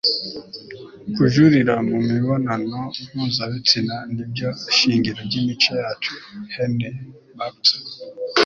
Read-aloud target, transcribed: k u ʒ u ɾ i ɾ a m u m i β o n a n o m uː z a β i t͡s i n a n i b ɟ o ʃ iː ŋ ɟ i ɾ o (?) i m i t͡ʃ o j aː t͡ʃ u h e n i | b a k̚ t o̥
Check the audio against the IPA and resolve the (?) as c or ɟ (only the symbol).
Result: ɟ